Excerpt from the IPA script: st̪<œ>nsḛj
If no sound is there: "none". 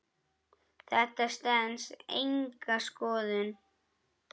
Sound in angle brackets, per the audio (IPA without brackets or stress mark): ɛ